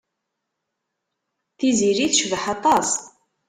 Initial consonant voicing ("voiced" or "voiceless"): voiceless